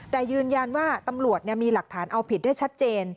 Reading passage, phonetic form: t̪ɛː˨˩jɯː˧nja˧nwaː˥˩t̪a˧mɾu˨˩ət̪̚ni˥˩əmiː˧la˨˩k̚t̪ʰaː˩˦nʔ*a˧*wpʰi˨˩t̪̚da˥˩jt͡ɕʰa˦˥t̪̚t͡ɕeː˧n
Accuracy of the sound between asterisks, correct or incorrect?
correct